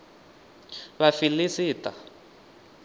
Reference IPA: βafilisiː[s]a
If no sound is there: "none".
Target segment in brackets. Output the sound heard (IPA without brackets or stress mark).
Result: t